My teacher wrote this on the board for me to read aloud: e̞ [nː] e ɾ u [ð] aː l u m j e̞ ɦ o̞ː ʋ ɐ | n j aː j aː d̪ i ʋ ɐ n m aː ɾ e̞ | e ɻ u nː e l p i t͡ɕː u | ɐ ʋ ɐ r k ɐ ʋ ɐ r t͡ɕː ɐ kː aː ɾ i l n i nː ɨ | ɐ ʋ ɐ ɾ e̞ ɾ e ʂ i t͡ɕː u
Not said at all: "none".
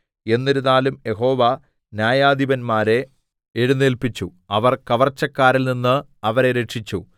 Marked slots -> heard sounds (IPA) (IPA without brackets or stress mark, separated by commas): nː, ð